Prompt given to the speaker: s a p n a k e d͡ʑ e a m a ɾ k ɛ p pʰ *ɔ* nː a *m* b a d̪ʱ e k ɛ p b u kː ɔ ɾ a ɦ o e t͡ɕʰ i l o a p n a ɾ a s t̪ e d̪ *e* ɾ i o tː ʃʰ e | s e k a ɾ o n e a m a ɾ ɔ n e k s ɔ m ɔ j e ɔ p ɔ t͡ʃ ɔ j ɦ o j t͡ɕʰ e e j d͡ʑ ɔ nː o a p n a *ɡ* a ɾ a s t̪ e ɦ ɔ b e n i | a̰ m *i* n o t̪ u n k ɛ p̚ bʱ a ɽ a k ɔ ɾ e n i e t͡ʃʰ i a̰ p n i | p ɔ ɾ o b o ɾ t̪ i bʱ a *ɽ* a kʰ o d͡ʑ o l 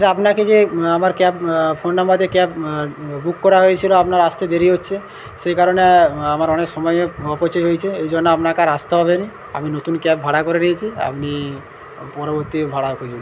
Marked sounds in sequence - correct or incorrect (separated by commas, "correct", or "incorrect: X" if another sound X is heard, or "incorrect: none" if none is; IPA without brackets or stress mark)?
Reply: incorrect: o, correct, correct, incorrect: k, correct, correct